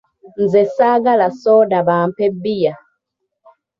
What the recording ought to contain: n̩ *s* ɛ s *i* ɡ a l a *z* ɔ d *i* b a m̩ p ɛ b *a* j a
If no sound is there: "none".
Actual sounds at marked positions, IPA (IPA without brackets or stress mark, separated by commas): z, a, s, a, i